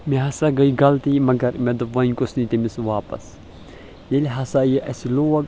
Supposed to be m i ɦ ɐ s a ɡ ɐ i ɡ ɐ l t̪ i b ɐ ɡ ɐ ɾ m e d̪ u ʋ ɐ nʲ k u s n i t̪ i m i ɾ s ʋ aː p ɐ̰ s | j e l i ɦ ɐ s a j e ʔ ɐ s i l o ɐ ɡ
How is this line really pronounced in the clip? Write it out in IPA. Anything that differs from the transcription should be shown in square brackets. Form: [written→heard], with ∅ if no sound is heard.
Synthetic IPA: m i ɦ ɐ s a ɡ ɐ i ɡ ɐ l t̪ i [b→m] ɐ ɡ ɐ ɾ m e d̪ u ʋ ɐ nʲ k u s n i t̪ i m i [ɾ→∅] s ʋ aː p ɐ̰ s | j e l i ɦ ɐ s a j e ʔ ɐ s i l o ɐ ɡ

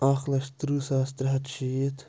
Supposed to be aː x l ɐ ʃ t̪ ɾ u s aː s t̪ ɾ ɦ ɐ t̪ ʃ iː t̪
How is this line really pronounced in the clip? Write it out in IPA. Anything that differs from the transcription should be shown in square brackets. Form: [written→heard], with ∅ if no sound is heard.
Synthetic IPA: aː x l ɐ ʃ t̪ ɾ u s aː s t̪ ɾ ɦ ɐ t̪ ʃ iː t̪

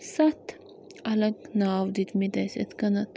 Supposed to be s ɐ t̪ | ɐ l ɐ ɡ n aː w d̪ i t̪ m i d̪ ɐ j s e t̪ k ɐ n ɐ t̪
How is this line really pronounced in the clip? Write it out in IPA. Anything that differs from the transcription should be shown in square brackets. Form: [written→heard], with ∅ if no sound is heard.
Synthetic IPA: s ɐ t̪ | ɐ l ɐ ɡ n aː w d̪ i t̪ m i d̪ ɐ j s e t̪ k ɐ n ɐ t̪

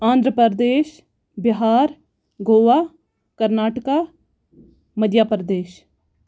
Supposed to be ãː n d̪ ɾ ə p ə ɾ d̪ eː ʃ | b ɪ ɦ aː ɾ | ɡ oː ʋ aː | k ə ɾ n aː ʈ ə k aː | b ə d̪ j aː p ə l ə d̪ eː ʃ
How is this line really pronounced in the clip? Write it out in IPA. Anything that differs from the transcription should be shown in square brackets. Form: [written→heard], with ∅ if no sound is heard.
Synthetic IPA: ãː n d̪ ɾ ə p ə ɾ d̪ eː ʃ | b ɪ ɦ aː ɾ | ɡ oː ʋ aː | k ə ɾ n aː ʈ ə k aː | [b→m] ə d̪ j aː p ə [l→ɾ] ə d̪ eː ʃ

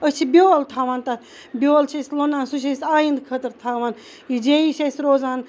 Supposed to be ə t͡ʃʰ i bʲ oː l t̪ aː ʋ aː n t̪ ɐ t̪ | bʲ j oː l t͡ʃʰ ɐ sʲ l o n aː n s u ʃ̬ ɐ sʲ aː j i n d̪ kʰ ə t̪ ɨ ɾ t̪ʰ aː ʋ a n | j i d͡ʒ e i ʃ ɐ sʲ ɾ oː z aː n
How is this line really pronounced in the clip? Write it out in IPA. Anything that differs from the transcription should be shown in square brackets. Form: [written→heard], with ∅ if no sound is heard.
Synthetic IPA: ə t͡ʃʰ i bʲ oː l [t̪→t̪ʰ] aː ʋ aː n t̪ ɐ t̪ | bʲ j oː l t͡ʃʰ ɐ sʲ l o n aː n s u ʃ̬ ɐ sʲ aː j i n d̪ kʰ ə t̪ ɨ ɾ t̪ʰ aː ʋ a n | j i d͡ʒ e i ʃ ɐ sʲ ɾ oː z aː n

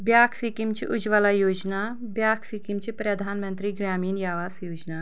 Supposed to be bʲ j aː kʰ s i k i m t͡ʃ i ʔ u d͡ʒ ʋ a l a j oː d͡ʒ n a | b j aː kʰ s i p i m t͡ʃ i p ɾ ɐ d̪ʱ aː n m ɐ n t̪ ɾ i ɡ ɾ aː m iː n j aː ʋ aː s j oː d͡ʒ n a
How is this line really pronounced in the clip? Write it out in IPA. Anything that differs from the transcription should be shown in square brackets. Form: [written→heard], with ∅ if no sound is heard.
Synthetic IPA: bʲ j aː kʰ s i k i m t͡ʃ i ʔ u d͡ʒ ʋ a l a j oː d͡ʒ n a | b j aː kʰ s i [p→k] i m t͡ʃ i p ɾ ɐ d̪ʱ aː n m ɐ n t̪ ɾ i ɡ ɾ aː m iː n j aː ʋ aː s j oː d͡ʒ n a

